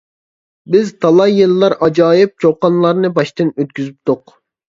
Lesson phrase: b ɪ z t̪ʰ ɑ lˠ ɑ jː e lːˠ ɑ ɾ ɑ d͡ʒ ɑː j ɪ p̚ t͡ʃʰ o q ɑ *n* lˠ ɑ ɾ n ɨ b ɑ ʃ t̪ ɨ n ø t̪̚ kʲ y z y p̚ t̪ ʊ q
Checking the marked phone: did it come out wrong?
no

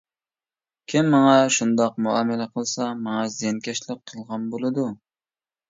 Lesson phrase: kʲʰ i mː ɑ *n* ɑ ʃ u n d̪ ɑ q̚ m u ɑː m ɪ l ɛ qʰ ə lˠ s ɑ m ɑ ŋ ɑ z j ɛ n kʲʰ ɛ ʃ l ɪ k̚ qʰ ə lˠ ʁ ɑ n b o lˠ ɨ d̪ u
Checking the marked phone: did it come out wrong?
yes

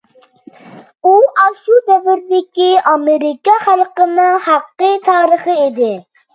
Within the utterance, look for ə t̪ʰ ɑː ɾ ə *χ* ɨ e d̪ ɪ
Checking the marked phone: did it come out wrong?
no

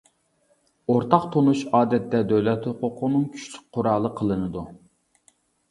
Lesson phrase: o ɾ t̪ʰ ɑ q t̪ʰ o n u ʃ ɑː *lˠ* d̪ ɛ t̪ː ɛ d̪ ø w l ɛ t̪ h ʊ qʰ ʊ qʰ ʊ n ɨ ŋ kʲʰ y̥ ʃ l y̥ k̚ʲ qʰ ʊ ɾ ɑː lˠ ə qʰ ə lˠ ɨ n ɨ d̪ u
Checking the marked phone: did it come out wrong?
yes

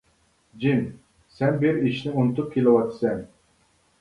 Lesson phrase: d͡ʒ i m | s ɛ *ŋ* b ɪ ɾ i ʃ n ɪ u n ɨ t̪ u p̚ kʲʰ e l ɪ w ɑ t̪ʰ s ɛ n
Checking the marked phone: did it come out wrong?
yes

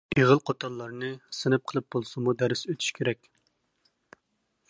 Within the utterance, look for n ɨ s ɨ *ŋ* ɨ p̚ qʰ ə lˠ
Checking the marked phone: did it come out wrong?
yes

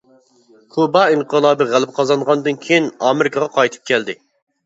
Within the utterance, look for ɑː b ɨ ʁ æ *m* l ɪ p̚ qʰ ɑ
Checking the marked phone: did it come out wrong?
yes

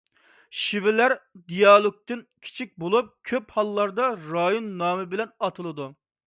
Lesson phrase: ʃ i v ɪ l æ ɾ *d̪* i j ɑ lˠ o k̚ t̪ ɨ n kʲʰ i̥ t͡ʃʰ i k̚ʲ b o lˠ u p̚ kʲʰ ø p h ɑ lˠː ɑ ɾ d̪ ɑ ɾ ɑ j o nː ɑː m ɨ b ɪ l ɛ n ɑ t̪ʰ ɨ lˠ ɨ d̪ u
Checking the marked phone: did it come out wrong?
no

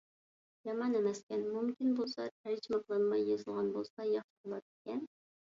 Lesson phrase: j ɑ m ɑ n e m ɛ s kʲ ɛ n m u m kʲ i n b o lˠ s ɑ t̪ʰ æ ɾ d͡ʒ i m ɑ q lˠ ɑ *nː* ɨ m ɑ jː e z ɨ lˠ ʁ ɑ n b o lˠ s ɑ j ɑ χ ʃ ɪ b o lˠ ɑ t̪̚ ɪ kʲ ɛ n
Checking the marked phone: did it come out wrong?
yes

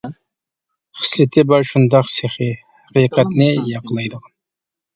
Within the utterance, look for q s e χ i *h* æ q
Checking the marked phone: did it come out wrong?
no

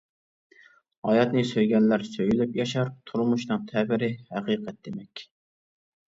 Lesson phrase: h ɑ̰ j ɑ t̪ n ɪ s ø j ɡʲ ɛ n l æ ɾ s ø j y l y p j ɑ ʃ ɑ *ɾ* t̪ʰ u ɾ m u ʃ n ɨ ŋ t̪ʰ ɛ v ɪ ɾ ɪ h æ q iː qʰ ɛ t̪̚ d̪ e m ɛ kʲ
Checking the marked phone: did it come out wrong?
no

